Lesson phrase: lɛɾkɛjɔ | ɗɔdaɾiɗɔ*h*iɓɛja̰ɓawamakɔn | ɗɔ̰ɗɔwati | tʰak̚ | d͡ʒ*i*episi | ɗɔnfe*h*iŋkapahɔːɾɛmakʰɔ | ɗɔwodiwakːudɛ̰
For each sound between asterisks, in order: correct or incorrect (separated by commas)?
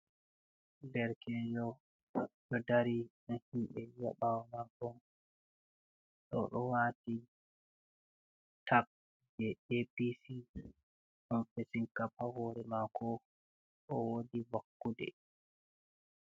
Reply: correct, incorrect, incorrect